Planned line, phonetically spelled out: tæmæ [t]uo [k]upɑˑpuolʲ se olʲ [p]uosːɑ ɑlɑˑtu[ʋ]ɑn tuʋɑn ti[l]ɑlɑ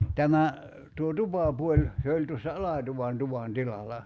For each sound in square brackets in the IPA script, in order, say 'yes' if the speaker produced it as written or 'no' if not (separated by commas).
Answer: yes, no, no, yes, yes